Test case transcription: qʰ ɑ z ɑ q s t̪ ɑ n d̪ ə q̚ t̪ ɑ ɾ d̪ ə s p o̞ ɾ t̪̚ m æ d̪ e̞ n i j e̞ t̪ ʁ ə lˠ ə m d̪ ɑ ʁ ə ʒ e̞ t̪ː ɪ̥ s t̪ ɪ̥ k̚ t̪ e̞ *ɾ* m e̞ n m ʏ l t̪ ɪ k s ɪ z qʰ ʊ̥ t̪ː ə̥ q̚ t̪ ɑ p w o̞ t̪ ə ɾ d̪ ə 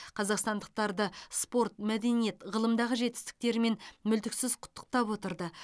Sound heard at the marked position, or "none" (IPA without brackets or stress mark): ɾ